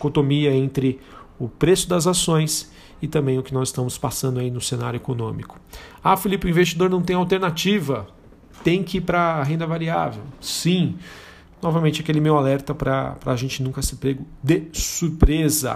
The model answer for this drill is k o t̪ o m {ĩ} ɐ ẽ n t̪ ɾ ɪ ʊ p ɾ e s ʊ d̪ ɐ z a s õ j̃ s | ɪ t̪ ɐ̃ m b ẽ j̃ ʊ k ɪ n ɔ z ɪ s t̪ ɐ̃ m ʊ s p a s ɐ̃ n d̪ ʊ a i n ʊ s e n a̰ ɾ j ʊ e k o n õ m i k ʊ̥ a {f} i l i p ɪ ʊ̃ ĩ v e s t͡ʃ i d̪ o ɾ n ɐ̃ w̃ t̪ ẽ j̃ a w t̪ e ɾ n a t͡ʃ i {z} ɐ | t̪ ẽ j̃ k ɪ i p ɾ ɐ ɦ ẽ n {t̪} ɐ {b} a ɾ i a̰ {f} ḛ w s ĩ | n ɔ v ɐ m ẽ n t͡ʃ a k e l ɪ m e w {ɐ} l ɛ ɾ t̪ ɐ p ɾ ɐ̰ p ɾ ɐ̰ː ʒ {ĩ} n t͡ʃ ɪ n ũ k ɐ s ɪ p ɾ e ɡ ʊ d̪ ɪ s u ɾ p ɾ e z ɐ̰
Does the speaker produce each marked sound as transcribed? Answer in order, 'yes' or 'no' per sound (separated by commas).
no, yes, no, no, no, no, no, no